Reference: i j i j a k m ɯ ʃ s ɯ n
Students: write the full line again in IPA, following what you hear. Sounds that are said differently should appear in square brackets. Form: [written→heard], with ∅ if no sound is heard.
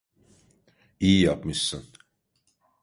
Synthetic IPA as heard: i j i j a [k→p] m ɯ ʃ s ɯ n